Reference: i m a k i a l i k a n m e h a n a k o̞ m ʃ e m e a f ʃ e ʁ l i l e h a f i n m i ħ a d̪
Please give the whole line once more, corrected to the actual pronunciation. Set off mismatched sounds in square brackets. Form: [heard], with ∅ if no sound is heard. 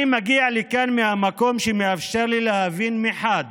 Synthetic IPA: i m a [ɡ] i a l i k a n m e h a [m] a k o̞ m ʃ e m e a f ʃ e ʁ l i l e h a [v] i n m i ħ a d̪